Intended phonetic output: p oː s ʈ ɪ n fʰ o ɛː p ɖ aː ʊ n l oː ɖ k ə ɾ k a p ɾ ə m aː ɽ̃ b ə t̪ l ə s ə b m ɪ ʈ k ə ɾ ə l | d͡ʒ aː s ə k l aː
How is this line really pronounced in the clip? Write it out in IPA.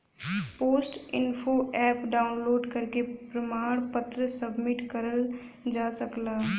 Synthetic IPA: p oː s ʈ ɪ n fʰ o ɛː p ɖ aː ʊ n l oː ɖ k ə ɾ k e p ɾ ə m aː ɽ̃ p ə t̪ ɾ ə s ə b m ɪ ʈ k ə ɾ ə l | d͡ʒ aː s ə k l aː